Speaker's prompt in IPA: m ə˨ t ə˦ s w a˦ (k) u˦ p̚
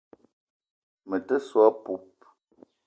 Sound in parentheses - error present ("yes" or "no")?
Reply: yes